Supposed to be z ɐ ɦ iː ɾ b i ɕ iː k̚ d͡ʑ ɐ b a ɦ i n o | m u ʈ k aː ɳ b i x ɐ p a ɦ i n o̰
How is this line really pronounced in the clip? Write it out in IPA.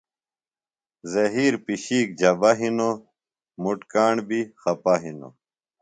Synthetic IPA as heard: z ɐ ɦ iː ɾ p i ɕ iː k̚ d͡ʑ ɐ b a ɦ i n o | m u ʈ k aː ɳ b i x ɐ p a ɦ i n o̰